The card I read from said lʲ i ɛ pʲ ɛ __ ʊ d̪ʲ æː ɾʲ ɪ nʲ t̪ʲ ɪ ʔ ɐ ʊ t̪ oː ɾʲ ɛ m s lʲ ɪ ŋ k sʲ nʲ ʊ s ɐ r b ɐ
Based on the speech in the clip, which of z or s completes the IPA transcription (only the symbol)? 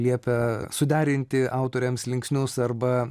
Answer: s